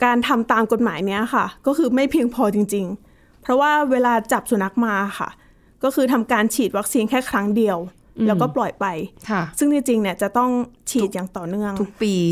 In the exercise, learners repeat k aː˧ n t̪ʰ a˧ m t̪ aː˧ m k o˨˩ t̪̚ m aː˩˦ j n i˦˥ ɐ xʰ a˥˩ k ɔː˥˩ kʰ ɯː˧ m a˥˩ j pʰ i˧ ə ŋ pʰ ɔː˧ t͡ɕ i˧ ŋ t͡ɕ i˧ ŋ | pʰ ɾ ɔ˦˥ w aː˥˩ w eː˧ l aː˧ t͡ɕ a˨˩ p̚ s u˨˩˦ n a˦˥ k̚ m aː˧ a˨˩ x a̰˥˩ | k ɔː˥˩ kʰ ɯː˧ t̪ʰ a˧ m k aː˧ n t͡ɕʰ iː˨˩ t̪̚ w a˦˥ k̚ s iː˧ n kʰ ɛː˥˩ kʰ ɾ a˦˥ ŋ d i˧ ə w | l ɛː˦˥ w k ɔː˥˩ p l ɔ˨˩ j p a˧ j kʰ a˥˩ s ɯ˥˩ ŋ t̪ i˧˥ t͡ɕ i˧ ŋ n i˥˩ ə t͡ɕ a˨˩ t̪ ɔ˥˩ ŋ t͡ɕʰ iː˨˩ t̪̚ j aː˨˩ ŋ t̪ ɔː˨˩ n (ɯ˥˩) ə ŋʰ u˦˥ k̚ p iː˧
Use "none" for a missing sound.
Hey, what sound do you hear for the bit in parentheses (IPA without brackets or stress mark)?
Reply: ɯ˥˩